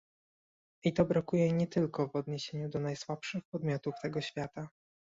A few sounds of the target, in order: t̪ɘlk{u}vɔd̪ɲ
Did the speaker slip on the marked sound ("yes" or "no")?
yes